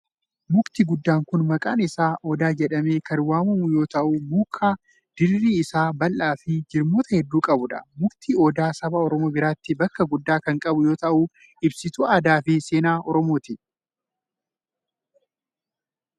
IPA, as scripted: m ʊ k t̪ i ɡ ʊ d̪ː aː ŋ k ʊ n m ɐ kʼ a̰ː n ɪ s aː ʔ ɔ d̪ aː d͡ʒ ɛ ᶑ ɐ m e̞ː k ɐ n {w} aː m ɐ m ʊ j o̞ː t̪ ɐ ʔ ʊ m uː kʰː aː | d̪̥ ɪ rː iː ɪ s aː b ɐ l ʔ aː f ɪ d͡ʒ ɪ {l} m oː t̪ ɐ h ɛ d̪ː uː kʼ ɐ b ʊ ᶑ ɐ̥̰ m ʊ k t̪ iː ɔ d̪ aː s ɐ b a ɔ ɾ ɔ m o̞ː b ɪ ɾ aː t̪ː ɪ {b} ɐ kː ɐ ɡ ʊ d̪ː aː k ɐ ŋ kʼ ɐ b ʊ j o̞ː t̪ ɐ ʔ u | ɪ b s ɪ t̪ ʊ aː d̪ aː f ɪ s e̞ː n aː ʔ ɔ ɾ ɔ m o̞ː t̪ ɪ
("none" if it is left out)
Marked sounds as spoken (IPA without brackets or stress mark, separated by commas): w, ɾ, b